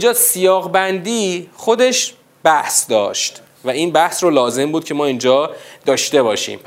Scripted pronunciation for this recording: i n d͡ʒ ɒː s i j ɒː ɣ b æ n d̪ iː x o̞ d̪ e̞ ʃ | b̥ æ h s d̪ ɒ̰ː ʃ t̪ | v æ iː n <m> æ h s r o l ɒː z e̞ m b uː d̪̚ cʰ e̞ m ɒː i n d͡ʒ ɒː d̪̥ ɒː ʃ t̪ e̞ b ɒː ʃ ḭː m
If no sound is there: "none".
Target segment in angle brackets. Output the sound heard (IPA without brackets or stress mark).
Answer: b